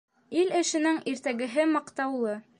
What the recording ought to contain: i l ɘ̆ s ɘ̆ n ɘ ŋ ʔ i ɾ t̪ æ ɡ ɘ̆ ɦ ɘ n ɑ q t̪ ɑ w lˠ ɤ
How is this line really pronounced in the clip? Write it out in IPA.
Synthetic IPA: i l ɘ̆ ʃ ɘ̆ n ɘ ŋ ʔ i ɾ t̪ æ ɡ ɘ̆ ɦ ɘ m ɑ q t̪ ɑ w lˠ ɤ